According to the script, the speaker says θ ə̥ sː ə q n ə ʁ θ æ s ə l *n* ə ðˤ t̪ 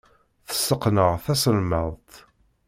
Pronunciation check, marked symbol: incorrect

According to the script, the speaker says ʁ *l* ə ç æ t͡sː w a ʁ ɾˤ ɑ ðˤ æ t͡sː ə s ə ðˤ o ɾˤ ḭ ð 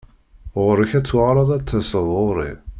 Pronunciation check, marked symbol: incorrect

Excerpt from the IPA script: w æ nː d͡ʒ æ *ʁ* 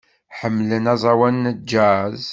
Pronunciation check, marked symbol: incorrect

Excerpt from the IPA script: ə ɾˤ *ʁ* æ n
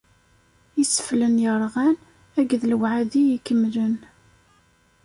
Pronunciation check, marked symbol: correct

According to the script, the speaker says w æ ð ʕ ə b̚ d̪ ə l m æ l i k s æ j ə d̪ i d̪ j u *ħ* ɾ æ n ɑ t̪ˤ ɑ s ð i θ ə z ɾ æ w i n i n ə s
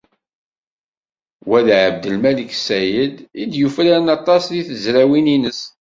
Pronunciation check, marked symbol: incorrect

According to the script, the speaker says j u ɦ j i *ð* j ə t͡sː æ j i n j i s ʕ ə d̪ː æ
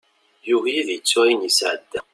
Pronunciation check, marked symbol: correct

